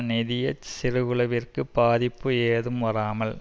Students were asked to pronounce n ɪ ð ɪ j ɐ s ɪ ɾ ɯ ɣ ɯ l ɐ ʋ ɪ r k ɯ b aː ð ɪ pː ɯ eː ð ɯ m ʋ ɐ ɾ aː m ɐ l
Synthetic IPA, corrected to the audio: n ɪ ð ɪ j ɐ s ɪ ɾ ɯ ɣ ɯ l ɐ ʋ ɪ r k ɯ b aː ð ɪ pː ɯ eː ð ɯ m ʋ ɐ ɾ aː m ɐ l